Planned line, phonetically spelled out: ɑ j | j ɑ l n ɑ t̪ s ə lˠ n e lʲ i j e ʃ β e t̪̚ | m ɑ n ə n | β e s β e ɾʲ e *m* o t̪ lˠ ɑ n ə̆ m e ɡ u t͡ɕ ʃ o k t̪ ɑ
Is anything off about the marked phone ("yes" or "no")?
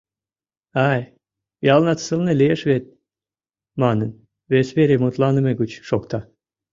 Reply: no